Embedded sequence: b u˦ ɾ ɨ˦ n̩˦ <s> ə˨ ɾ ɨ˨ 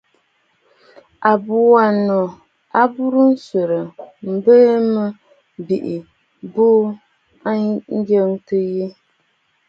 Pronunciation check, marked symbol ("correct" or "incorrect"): correct